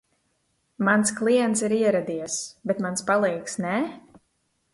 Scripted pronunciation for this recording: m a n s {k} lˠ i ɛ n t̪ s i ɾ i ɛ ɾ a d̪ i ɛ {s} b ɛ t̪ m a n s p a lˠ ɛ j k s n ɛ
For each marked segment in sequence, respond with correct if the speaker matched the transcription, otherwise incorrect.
correct, correct

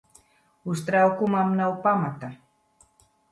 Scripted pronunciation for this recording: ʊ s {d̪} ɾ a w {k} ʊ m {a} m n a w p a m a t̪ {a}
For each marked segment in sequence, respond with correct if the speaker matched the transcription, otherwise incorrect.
incorrect: t̪, correct, correct, correct

